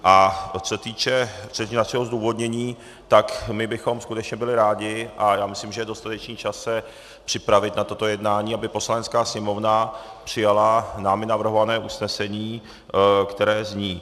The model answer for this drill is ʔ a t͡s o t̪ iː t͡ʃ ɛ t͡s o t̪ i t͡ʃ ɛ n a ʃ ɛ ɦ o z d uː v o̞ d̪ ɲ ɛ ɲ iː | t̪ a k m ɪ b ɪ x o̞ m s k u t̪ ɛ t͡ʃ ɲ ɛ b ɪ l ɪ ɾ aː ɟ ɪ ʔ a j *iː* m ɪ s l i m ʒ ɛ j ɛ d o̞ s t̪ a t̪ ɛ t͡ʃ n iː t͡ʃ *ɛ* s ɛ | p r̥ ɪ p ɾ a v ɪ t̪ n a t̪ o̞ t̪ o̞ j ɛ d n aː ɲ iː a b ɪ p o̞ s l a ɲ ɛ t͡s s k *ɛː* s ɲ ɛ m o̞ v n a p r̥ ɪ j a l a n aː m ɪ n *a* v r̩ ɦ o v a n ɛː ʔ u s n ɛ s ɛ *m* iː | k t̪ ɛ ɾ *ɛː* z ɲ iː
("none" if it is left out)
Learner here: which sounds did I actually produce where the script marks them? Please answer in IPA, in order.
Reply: aː, a, aː, a, ɲ, ɛː

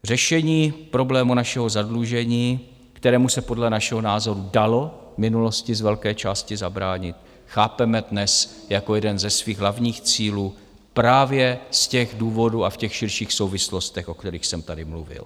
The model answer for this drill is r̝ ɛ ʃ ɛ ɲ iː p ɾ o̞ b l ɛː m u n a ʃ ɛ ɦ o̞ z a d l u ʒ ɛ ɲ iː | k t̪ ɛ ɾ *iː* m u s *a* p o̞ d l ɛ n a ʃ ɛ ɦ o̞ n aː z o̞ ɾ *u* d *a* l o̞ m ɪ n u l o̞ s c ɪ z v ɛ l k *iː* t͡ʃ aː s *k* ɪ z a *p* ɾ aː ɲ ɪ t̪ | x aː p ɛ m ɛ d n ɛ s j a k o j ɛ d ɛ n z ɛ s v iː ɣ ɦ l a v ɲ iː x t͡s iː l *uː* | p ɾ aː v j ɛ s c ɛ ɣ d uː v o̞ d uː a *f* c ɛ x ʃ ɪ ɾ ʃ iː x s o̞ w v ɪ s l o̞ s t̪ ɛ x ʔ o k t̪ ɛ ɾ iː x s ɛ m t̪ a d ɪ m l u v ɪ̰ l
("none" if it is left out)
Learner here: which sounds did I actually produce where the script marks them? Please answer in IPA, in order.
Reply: ɛː, ɛ, u, a, ɛː, c, b, uː, f

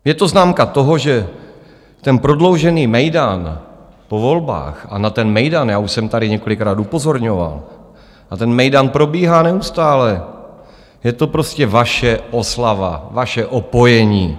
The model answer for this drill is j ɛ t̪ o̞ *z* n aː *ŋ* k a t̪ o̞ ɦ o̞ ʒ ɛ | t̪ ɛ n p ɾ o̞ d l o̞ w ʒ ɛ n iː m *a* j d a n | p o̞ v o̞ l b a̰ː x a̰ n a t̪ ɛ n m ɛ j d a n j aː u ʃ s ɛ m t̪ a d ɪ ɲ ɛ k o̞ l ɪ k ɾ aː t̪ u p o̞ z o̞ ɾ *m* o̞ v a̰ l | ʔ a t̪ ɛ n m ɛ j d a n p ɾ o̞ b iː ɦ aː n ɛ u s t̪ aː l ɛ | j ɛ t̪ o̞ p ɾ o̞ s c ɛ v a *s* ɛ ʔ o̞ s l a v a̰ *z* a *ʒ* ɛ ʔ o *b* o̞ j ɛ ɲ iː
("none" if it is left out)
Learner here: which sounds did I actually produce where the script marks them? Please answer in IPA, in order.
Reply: z, m, ɛ, ɲ, ʃ, v, ʃ, p

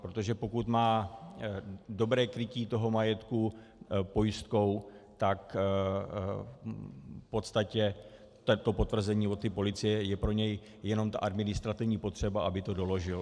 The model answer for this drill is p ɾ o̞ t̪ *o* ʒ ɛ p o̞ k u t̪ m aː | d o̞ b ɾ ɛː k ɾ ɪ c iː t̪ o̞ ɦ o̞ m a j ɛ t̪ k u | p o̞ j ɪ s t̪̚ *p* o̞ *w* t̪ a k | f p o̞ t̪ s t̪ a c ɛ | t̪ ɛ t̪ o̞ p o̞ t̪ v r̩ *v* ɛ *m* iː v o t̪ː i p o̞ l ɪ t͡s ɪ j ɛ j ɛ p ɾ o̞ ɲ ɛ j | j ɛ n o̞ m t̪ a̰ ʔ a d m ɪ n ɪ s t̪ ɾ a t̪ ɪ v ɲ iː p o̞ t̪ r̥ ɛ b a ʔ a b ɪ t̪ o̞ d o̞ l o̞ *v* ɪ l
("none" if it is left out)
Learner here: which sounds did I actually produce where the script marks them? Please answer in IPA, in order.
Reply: o, k, w, z, ɲ, ʒ

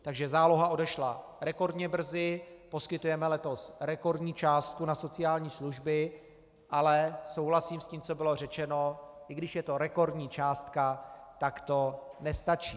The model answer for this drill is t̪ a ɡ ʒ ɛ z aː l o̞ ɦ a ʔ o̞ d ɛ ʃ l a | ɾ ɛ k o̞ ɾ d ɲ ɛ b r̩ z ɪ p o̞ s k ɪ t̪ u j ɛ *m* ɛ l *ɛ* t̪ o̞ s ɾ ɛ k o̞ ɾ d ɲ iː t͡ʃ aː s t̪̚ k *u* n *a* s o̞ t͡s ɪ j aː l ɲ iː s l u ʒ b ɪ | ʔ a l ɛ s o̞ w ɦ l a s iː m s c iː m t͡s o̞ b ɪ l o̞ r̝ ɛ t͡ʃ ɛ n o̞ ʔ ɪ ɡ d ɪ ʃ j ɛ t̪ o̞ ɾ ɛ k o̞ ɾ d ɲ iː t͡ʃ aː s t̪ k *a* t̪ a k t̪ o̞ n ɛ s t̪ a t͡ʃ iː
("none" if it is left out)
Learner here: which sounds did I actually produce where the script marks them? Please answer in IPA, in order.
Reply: m, ɛ, u, a, a

